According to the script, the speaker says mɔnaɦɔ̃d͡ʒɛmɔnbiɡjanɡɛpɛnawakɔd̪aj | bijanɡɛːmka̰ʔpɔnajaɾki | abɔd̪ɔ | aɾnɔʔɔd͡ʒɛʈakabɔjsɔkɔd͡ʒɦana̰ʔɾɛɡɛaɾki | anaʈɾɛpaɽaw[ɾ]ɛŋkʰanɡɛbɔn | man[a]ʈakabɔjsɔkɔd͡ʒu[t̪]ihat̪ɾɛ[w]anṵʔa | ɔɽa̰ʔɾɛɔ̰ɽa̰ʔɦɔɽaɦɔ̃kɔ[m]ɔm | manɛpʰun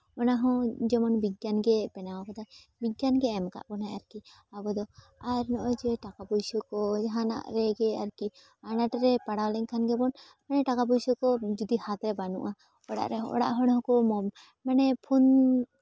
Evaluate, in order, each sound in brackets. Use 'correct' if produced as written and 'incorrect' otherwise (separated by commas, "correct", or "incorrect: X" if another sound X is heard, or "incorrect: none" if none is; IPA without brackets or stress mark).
incorrect: l, incorrect: ɛ, incorrect: d̪, incorrect: b, correct